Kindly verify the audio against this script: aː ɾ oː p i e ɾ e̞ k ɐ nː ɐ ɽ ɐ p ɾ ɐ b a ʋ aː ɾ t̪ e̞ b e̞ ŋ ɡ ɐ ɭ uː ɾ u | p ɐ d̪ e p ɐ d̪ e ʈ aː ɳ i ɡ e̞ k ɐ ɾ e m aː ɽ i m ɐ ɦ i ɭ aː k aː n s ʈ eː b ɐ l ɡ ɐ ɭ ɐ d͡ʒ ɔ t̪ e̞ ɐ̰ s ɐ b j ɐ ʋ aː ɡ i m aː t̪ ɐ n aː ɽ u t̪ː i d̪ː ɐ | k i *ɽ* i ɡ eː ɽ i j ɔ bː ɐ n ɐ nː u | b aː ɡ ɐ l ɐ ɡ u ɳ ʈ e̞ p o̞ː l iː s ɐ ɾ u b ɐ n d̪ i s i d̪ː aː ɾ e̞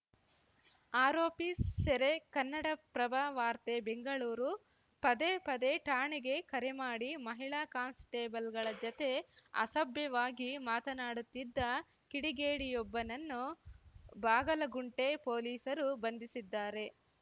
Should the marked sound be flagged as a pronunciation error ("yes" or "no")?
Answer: no